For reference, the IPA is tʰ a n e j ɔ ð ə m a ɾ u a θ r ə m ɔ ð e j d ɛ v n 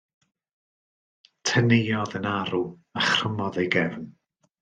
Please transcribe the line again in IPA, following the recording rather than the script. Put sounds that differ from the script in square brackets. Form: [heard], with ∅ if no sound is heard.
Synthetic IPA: tʰ [ə] n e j ɔ ð ə [n] a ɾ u a [χ] r ə m ɔ ð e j [ɡ] ɛ v n